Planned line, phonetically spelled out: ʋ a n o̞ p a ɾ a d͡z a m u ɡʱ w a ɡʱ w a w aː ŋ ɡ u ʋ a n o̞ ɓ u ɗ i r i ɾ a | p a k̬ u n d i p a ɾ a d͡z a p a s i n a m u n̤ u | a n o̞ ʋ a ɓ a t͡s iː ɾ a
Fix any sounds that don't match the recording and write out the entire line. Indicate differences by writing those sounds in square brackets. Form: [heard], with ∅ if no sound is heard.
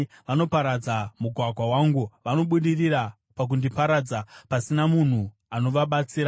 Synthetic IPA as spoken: ʋ a n o̞ p a ɾ a d͡z a m u ɡʱ w a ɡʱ w a w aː ŋ ɡ u ʋ a n o̞ ɓ u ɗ i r i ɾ a | p a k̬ u n d i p a ɾ a d͡z a p a s i n a m u n̤ u | a n o̞ ʋ a ɓ a t͡s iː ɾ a